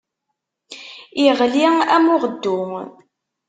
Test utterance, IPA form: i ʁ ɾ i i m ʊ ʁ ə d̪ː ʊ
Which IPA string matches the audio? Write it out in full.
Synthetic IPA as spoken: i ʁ l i æ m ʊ ʁ ə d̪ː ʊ